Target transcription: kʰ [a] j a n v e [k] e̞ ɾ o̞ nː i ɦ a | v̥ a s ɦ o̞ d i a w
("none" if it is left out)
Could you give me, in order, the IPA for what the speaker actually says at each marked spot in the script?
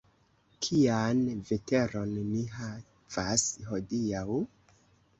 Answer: i, t

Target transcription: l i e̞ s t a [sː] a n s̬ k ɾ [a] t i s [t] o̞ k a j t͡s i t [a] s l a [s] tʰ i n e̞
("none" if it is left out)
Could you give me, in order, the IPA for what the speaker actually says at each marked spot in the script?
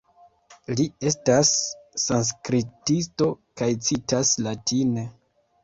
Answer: sː, i, t, a, none

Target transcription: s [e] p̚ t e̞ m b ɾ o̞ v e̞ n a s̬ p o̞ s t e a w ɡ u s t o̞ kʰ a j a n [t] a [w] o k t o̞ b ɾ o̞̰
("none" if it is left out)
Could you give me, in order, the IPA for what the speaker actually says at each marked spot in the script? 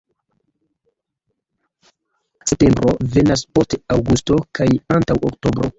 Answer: e, t, w

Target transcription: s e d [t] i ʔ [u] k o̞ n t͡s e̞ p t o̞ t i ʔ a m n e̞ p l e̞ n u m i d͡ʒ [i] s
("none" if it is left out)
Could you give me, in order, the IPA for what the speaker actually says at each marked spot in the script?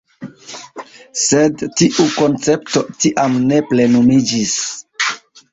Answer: t, u, i

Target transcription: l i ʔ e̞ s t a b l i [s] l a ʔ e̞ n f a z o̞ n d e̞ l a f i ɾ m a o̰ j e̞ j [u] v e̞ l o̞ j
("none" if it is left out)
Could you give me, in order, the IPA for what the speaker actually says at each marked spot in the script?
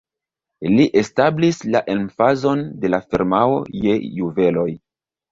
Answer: s, u

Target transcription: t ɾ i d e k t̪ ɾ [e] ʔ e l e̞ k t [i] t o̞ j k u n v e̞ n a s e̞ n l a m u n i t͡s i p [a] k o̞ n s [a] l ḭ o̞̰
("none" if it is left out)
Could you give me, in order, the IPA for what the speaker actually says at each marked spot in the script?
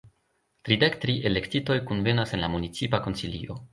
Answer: i, i, a, i

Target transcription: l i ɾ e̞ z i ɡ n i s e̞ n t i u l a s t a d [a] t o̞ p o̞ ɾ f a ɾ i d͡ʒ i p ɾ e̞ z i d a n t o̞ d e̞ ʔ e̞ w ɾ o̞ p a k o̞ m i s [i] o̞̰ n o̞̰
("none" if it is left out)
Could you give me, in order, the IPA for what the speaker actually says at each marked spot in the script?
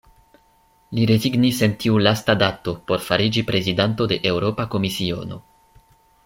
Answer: a, i

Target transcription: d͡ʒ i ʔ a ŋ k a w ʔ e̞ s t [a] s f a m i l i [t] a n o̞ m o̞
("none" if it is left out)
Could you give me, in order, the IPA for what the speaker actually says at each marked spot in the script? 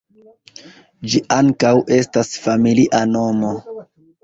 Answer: a, ʔ

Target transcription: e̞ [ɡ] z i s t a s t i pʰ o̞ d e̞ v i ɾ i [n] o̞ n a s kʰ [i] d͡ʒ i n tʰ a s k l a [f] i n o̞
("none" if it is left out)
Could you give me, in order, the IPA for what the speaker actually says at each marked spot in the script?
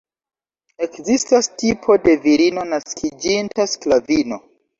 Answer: k, n, i, v

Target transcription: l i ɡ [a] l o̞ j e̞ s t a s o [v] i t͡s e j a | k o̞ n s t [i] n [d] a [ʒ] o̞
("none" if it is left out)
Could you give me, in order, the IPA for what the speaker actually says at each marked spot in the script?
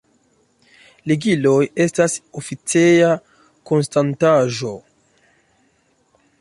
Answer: i, f, a, t, ʒ

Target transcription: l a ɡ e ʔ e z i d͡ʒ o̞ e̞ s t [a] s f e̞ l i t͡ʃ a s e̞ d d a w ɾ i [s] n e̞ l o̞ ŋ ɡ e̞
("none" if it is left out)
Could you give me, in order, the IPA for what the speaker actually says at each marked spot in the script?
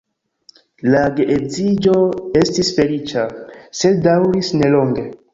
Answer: i, s

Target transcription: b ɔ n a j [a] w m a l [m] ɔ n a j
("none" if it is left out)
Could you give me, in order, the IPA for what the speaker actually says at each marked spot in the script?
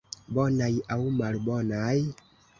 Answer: a, b

